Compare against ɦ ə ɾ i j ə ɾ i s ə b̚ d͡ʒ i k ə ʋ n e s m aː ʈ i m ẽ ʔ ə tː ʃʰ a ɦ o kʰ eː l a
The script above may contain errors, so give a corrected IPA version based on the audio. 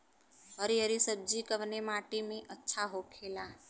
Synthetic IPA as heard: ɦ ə ɾ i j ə ɾ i s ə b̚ d͡ʒ i k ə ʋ n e m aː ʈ i m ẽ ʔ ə tː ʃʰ a ɦ o kʰ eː l a

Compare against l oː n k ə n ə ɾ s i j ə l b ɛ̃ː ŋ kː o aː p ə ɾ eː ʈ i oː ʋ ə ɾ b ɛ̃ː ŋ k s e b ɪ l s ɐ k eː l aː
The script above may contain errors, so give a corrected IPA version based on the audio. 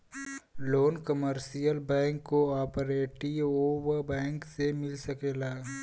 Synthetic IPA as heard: l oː n k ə m ə ɾ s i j ə l b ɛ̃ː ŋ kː o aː p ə ɾ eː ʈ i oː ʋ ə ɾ b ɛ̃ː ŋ k s e m ɪ l s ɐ k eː l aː

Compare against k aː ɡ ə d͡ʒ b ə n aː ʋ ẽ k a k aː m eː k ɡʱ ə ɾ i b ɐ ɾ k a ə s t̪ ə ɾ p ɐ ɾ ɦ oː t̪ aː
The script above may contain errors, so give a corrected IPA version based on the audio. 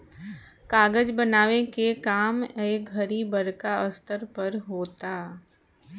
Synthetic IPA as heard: k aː ɡ ə d͡ʒ b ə n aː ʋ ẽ k e k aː m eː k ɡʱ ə ɾ i b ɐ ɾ k a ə s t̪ ə ɾ p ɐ ɾ ɦ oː t̪ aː

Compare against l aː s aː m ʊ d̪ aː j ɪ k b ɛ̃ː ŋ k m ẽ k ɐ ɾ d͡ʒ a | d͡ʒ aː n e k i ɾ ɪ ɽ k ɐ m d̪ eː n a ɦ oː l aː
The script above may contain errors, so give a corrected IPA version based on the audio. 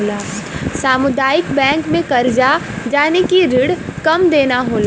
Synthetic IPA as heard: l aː s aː m ʊ d̪ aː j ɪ k b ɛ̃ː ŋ k m ẽ k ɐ ɾ d͡ʒ a | d͡ʒ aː n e k i ɾ ɪ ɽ k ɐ m d̪ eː n a ɦ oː l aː

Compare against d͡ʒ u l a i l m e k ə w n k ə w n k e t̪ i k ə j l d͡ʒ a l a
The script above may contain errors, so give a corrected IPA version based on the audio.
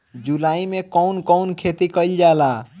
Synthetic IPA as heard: d͡ʒ u l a i m e k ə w n k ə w n kʰ e t̪ i k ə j l d͡ʒ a l a

